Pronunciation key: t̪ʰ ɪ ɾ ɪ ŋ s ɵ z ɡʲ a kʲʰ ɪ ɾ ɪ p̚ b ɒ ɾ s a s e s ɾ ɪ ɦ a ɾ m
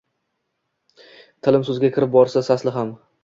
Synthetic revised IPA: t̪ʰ ɪ l ɪ m s ɵ z ɡʲ a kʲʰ ɪ ɾ ɪ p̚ b ɒ ɾ s a s a s l ɪ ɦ a m